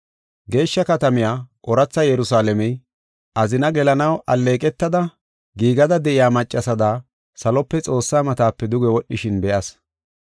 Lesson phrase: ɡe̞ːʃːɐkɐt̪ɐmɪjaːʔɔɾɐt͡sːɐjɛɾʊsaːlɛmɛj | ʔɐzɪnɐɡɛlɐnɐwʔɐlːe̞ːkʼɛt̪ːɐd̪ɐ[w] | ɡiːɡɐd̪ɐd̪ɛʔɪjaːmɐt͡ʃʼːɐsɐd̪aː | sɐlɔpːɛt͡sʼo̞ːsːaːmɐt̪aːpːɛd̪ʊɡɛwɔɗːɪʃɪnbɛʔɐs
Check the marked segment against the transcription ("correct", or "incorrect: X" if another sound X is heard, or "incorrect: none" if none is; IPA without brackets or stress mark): incorrect: none